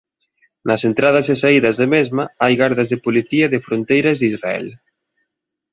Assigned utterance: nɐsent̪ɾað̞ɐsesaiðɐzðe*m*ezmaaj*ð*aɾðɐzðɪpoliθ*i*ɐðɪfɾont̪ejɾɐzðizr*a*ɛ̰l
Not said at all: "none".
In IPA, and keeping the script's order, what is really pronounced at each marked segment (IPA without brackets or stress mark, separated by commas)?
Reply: m, ɣ, i, a